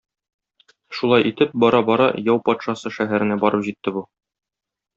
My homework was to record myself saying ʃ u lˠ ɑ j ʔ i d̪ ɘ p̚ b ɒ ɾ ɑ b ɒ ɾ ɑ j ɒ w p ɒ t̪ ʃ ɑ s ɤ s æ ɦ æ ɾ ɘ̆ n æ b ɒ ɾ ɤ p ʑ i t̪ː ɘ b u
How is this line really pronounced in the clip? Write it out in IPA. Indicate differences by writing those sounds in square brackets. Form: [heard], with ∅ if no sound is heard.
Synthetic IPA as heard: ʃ u lˠ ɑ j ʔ i [t̪] ɘ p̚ b ɒ ɾ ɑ b ɒ ɾ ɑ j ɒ w p ɒ t̪ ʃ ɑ s ɤ [ʃ] æ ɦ æ ɾ ɘ̆ n æ b ɒ ɾ ɤ p ʑ i t̪ː ɘ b u

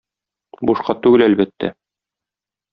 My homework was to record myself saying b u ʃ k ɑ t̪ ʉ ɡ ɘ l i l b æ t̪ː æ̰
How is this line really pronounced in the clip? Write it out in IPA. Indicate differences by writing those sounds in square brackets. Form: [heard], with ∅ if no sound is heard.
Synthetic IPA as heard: b u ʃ [q] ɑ t̪ ʉ ɡ ɘ l [æ] l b æ t̪ː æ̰

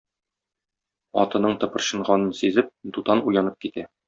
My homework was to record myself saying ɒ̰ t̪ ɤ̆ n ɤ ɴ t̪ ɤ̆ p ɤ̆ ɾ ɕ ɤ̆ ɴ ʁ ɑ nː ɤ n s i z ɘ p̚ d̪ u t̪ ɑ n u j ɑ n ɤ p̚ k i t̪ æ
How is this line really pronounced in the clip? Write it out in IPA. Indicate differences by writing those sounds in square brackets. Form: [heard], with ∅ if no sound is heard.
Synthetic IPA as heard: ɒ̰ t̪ ɤ̆ n ɤ ɴ t̪ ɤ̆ p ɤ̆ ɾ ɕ ɤ̆ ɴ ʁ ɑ [n] ɤ n s i z ɘ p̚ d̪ u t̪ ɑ n u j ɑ n ɤ p̚ k i t̪ æ

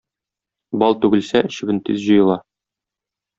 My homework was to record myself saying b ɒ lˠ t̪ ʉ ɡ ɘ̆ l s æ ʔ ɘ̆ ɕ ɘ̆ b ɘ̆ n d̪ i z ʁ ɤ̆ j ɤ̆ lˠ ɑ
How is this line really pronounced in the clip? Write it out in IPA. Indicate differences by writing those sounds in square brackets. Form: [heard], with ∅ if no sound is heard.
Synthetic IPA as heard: b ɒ lˠ t̪ ʉ ɡ ɘ̆ l s æ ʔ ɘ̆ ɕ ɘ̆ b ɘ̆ n [t̪] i z [ʑ] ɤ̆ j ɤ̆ lˠ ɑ

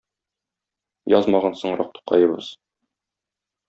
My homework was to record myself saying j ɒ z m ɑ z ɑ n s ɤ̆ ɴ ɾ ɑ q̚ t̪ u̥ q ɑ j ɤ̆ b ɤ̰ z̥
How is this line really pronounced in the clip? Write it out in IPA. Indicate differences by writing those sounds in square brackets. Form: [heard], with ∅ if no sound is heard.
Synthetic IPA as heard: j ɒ z m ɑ [ʁ] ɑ n s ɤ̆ ɴ ɾ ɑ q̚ t̪ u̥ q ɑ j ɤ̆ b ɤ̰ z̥

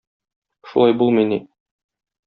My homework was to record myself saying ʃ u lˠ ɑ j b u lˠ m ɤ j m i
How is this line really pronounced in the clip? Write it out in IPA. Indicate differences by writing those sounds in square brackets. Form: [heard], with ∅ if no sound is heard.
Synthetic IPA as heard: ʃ u lˠ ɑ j b u lˠ m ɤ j [n] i

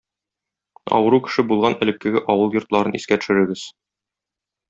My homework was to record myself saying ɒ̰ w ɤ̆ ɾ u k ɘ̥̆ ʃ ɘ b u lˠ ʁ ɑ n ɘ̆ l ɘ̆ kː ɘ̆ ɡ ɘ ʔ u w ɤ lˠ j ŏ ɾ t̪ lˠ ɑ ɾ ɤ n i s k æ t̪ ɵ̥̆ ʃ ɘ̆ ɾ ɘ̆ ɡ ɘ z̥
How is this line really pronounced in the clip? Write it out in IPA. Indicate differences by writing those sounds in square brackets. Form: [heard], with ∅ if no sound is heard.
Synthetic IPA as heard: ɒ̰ w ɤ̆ ɾ u k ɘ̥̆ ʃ ɘ b u lˠ ʁ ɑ n ɘ̆ l ɘ̆ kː ɘ̆ ɡ ɘ ʔ [ɒ] w ɤ lˠ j ŏ ɾ t̪ lˠ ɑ ɾ ɤ n i s k æ t̪ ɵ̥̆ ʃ ɘ̆ ɾ ɘ̆ ɡ ɘ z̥

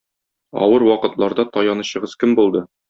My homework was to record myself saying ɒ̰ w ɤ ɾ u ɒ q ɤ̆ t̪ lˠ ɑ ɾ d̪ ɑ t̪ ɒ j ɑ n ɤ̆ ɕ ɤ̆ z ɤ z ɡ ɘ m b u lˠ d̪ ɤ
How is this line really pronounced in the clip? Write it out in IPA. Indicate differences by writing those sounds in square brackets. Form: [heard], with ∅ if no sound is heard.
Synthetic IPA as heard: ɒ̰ w ɤ ɾ [w] ɒ q ɤ̆ t̪ lˠ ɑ ɾ d̪ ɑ t̪ ɒ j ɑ n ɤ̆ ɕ ɤ̆ [ʁ] ɤ z [k] ɘ m b u lˠ d̪ ɤ

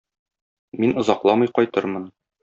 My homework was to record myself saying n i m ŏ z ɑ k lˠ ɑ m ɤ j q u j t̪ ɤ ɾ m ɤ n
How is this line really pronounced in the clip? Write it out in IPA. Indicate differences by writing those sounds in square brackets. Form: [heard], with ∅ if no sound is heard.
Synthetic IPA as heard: [m] i [n] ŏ z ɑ [q] lˠ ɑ m ɤ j q [ɒ] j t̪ ɤ ɾ m ɤ n

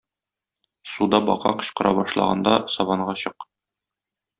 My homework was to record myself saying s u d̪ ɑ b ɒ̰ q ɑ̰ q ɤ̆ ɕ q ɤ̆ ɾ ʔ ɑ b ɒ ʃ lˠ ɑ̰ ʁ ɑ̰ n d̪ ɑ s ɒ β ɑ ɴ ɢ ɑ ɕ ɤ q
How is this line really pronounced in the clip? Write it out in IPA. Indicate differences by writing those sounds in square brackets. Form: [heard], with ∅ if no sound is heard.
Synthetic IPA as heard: s u d̪ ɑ b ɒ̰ q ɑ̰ q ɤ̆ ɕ q ɤ̆ ɾ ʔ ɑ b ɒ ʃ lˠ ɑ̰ ʁ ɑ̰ n d̪ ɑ s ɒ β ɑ ɴ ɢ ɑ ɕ ɤ q

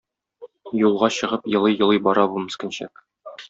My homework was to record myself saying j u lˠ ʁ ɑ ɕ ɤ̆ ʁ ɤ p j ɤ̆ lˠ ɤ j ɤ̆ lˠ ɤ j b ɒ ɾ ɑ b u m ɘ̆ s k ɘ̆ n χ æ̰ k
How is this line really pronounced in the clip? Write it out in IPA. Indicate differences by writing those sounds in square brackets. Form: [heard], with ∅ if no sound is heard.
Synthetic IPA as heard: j u lˠ ʁ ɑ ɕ ɤ̆ ʁ ɤ p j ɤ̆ lˠ ɤ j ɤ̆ lˠ ɤ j b ɒ ɾ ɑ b u m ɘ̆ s k ɘ̆ n [ɕ] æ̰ k

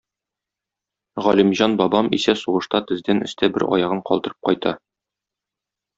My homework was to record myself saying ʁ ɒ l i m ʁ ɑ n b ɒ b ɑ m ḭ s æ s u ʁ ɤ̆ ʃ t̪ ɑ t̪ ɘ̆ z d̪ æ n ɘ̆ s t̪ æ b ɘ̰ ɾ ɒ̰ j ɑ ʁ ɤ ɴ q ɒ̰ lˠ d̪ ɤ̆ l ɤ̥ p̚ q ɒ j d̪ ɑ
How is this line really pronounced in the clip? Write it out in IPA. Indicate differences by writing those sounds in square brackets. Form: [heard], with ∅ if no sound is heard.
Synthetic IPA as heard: ʁ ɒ l i m [ʑ] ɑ n b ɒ b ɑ m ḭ s æ s u ʁ ɤ̆ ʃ t̪ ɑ t̪ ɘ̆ z d̪ æ n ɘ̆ s t̪ æ b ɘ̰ ɾ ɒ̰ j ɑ ʁ ɤ ɴ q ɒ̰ lˠ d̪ ɤ̆ [ɾ] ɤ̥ p̚ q ɒ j [t̪] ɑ

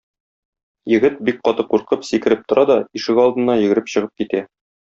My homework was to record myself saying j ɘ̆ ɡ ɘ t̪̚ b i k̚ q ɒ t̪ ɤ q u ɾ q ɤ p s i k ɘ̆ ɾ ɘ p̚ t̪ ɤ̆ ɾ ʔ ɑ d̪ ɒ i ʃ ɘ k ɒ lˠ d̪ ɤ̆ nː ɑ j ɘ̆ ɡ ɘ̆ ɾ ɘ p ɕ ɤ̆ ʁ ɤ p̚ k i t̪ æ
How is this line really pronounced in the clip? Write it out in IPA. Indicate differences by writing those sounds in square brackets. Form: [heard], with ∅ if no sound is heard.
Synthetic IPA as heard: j ɘ̆ ɡ ɘ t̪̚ b i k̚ q ɒ t̪ ɤ q u ɾ q ɤ p s i k ɘ̆ ɾ ɘ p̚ t̪ [ŏ] ɾ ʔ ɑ d̪ ɒ i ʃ ɘ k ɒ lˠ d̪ ɤ̆ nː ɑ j ɘ̆ ɡ ɘ̆ ɾ ɘ p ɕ ɤ̆ ʁ ɤ p̚ k i t̪ æ

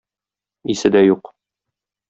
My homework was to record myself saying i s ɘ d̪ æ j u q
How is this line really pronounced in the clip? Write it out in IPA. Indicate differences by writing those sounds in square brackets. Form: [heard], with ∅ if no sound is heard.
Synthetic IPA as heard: i s ɘ d̪ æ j u q

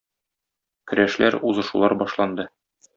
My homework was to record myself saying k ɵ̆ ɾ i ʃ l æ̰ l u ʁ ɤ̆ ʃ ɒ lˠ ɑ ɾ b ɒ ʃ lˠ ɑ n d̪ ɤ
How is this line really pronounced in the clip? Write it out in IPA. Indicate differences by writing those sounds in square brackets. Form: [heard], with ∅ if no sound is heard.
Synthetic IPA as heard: k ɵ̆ ɾ [æ] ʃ l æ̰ [ɾ] u [z] ɤ̆ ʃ [u] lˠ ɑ ɾ b ɒ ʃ lˠ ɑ n d̪ ɤ

